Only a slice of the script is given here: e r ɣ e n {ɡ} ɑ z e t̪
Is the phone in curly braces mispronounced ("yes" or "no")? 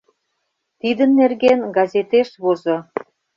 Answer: no